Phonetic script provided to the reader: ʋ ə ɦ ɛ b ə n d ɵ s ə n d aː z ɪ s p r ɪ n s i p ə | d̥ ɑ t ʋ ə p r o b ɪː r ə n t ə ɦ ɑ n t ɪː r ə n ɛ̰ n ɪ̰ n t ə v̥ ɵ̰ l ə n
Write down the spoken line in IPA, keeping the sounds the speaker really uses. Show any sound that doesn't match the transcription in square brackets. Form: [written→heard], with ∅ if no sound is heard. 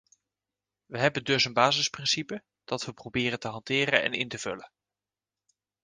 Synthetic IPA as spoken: ʋ ə ɦ ɛ b ə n d ɵ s ə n [d→b] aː z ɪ s p r ɪ n s i p ə | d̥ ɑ t ʋ ə p r o b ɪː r ə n t ə ɦ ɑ n t ɪː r ə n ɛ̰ n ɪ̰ n t ə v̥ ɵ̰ l ə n

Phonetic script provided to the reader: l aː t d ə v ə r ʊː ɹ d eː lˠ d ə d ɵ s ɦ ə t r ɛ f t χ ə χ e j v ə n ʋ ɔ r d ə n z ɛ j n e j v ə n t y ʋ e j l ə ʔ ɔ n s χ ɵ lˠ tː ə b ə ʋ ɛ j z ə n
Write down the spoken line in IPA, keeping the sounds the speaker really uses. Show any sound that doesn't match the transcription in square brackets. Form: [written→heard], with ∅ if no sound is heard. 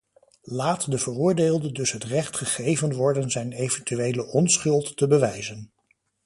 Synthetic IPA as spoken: l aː t d ə v ə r ʊː ɹ d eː lˠ d ə d ɵ s ɦ ə t r ɛ [f→χ] t χ ə χ e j v ə n ʋ ɔ [r→ɹ] d ə n z ɛ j n e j v ə n t y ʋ e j l ə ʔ ɔ n s χ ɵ lˠ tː ə b ə ʋ ɛ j z ə n

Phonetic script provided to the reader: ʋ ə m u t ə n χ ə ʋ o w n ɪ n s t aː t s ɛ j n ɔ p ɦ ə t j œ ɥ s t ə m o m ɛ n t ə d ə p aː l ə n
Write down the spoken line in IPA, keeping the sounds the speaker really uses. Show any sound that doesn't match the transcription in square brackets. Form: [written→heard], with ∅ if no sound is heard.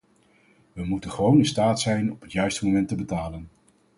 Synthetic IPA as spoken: ʋ ə m u t ə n χ ə ʋ o w n ɪ n s t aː t s ɛ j n ɔ p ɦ ə t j œ ɥ s t ə m o m ɛ n t ə [d→b] ə [p→t] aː l ə n

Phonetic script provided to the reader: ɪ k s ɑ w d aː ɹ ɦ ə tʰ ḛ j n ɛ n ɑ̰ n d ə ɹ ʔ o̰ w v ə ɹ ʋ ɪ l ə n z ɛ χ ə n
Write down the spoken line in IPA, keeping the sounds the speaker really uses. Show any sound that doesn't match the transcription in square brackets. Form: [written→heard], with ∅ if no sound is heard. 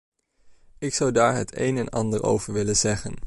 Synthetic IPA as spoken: ɪ k s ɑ w d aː ɹ ɦ ə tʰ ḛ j n ɛ n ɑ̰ n d ə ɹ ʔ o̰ w v ə ɹ ʋ ɪ l ə n z ɛ χ ə n

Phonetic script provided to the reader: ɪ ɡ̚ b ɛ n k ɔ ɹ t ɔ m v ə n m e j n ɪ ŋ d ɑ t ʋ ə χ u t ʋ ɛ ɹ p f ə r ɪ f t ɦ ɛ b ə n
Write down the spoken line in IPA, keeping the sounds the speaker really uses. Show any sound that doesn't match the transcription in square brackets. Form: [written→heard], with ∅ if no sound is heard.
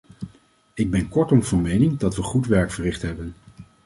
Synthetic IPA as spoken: ɪ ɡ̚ b ɛ n k ɔ ɹ t ɔ m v [ə→ɑ] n m e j n ɪ ŋ d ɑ t ʋ ə χ u t ʋ ɛ ɹ [p→k] f ə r ɪ [f→χ] t ɦ ɛ b ə n

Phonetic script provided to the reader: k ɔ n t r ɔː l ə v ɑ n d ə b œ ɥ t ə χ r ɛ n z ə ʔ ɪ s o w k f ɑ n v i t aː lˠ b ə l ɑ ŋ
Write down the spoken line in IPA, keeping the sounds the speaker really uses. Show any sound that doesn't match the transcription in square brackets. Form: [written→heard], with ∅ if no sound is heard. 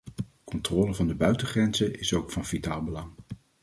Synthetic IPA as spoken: k ɔ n t r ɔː l ə v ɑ n d ə b œ ɥ t ə χ r ɛ n z ə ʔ ɪ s o w k f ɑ n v i t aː lˠ b ə l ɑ ŋ

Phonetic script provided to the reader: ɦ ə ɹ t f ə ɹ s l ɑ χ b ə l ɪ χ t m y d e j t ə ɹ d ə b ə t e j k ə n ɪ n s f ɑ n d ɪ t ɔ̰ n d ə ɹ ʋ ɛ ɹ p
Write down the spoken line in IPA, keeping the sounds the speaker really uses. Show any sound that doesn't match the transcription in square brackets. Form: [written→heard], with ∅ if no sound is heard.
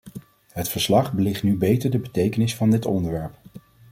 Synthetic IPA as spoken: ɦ ə [ɹ→∅] t f ə ɹ s l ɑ χ b ə l ɪ χ t [m→n] y [d→b] e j t ə ɹ d ə b ə t e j k ə n ɪ [n→∅] s f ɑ n d ɪ t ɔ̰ n d ə ɹ ʋ ɛ ɹ p

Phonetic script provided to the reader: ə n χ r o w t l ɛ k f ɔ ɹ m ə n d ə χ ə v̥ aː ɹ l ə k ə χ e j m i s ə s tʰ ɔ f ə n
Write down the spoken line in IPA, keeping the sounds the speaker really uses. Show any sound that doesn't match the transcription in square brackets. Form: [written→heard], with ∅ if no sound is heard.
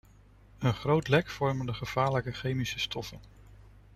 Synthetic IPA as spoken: ə n χ r o w t l ɛ k f ɔ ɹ m ə n d ə χ ə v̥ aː ɹ l ə k ə χ e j m i s ə s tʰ ɔ f ə n

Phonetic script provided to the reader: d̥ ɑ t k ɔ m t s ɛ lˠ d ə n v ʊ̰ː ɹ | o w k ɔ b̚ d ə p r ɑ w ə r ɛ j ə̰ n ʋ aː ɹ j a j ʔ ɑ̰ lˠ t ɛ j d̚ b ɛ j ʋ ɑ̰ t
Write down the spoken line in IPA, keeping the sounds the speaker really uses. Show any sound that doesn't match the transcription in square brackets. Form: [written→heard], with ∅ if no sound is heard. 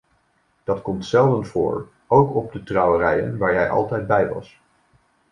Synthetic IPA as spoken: d̥ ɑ t k ɔ m t s ɛ lˠ d ə n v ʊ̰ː ɹ | o w k ɔ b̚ d ə [p→t] r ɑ w ə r ɛ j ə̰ n ʋ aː ɹ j [a→ɛ] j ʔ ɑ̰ lˠ t ɛ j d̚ b ɛ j ʋ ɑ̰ [t→s]

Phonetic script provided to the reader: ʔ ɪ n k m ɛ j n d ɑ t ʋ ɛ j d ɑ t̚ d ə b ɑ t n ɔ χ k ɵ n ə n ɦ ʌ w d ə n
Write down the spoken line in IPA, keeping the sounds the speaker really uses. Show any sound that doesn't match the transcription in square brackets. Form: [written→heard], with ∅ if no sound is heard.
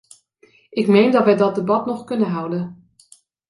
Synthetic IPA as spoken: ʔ ɪ [n→∅] k m [ɛ→e] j n d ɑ t ʋ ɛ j d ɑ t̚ d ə b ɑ t n ɔ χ k ɵ n ə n ɦ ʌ w d ə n

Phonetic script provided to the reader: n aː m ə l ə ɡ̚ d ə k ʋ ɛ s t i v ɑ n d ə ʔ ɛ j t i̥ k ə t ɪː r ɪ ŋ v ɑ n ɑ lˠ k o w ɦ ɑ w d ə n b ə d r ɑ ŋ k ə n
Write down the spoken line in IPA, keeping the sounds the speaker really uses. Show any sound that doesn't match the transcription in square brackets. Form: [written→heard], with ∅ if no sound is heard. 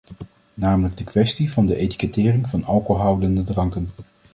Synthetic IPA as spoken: n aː m ə l ə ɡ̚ d ə k ʋ ɛ s t i v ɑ n d ə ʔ [ɛ→e] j t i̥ k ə t ɪː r ɪ ŋ v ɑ n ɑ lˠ k o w ɦ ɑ w d ə n [b→d] ə d r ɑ ŋ k ə n

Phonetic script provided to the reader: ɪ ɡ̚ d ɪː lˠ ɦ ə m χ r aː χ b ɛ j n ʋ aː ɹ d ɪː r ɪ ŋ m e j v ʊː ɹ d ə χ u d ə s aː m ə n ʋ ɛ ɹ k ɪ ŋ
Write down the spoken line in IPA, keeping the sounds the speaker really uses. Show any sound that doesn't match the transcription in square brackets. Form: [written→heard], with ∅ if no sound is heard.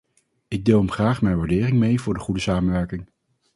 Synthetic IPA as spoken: ɪ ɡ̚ d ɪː lˠ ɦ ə m χ r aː χ [b→m] ɛ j n ʋ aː ɹ d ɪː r ɪ ŋ m e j v ʊː ɹ d ə χ u d ə s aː m ə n ʋ ɛ ɹ k ɪ ŋ

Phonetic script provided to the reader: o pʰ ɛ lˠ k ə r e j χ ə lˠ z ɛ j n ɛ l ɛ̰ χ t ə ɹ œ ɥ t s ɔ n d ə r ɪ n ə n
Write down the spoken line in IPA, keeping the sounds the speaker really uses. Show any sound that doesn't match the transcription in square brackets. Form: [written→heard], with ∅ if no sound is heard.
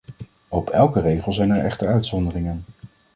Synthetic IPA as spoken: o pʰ ɛ lˠ k ə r e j χ ə lˠ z ɛ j n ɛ [l→ɹ] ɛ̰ χ t ə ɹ œ ɥ t s ɔ n d ə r ɪ [n→ŋ] ə n

